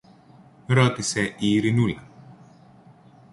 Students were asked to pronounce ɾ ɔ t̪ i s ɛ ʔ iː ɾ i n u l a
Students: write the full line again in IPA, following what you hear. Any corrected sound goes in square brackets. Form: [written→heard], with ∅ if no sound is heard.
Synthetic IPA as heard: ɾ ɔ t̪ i s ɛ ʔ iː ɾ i n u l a